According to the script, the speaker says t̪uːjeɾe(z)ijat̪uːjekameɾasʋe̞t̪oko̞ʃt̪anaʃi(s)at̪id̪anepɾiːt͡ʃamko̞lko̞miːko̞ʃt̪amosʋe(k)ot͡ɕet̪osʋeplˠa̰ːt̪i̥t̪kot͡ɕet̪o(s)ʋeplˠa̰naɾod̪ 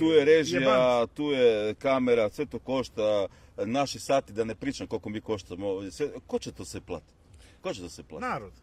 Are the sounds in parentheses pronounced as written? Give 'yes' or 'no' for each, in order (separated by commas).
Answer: no, yes, yes, yes